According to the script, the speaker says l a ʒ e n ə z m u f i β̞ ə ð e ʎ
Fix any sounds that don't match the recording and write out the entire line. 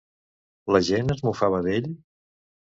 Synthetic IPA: l ə ʒ e n ə z m u f a β̞ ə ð e ʎ